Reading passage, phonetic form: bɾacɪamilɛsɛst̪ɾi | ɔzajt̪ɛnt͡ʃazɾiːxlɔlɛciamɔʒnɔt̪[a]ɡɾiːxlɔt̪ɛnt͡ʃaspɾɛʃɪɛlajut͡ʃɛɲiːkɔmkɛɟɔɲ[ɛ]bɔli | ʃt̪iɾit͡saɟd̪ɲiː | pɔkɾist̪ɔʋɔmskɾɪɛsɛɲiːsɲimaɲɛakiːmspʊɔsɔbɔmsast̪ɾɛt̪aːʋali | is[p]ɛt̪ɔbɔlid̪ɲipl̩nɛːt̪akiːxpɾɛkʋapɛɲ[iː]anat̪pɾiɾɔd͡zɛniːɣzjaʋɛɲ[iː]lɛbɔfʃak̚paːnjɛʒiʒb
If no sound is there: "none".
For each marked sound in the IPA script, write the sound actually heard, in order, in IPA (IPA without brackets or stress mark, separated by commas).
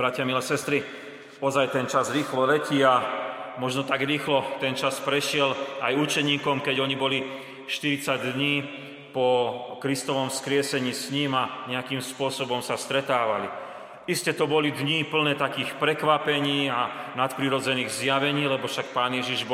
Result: a, i, c, iː, iː